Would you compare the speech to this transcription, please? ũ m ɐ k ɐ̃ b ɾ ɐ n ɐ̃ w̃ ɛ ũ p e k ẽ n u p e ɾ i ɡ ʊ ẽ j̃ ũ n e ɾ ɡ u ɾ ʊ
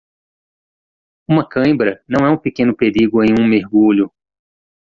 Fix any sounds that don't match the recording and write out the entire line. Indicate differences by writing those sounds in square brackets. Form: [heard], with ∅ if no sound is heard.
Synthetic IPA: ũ m ɐ k ɐ̃ b ɾ ɐ n ɐ̃ w̃ ɛ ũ p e k ẽ n [ʊ] p e ɾ i ɡ ʊ ẽ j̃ ũ [m] e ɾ ɡ u [ʎ] ʊ

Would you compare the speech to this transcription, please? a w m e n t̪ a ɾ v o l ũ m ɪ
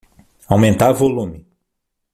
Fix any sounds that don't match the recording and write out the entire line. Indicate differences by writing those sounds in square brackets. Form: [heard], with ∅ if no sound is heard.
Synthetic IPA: a w m [ẽ] n t̪ a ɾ v o l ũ m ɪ

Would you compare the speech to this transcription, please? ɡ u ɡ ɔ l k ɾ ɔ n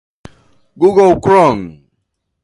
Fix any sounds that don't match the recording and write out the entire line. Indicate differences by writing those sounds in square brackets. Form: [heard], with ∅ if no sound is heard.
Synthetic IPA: ɡ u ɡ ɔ l k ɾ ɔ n

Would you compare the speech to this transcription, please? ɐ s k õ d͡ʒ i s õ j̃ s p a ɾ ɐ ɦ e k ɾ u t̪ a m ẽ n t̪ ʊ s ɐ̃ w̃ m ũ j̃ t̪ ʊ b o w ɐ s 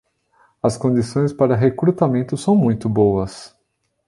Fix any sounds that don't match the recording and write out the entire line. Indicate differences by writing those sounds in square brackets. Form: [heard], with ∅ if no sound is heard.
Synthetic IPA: ɐ s k õ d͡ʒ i s õ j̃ s p a ɾ ɐ ɦ e k ɾ u t̪ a m ẽ n t̪ ʊ s ɐ̃ w̃ m ũ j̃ t̪ ʊ b o w ɐ s

